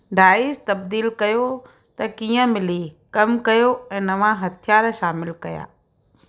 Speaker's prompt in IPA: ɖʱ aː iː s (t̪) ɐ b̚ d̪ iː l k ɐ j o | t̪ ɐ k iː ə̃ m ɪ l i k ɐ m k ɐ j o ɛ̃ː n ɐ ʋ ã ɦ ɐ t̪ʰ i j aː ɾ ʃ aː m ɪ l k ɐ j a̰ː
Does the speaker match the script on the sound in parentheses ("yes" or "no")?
yes